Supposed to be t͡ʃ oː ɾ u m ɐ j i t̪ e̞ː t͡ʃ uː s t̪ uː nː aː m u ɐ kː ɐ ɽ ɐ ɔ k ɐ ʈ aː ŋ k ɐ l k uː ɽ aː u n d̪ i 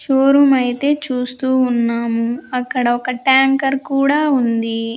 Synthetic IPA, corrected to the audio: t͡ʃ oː ɾ u m ɐ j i t̪ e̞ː t͡ʃ uː s t̪ uː nː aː m u ɐ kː ɐ ɽ ɐ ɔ k ɐ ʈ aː ŋ k ɐ ɾ k uː ɽ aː u n d̪ i